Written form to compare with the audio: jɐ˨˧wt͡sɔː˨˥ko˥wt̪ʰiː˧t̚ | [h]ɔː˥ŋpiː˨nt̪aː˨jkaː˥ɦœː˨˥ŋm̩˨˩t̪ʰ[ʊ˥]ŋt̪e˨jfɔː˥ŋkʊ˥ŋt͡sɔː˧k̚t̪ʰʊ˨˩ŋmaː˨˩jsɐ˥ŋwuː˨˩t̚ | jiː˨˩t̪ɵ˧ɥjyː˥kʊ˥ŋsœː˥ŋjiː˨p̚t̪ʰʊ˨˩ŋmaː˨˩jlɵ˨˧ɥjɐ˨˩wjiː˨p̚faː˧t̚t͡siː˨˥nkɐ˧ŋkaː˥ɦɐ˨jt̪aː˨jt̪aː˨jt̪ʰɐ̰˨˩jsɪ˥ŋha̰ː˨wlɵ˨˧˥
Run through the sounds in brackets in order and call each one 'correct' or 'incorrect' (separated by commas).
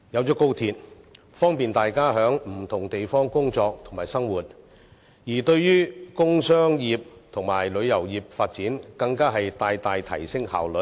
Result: incorrect, incorrect